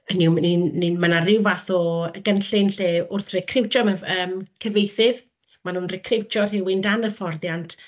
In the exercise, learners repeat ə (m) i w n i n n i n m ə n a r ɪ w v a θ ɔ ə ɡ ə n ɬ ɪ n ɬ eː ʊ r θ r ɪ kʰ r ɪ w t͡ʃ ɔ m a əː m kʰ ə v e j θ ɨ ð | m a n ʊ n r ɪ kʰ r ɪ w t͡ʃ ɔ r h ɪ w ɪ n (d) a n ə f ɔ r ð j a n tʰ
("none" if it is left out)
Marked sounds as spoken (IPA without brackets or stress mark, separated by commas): n, d